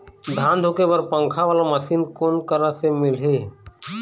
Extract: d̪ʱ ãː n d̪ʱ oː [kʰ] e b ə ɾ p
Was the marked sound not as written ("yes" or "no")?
yes